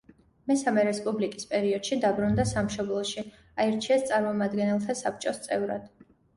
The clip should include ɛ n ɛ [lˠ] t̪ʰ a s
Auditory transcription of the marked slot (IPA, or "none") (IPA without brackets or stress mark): lˠ